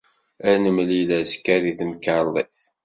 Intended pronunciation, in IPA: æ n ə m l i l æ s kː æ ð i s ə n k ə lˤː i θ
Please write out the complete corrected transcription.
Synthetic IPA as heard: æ n ə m l i l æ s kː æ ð i θ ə m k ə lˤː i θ